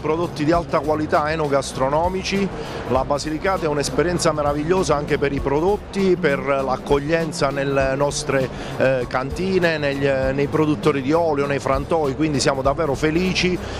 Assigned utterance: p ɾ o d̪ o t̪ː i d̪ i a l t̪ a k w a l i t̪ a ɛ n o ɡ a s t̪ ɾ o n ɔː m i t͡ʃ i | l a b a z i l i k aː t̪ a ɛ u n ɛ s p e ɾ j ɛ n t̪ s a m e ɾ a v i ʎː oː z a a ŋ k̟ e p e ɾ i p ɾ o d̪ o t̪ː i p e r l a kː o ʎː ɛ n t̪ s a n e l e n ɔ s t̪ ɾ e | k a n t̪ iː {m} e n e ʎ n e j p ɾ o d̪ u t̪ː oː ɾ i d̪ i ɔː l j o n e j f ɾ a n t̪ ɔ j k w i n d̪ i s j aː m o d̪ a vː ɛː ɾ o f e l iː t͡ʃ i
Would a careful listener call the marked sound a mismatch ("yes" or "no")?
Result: yes